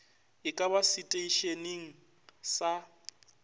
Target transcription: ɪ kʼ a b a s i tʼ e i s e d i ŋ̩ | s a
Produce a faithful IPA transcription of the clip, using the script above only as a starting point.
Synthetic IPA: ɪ kʼ a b a s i tʼ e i ʃ e n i ŋ̩ | s a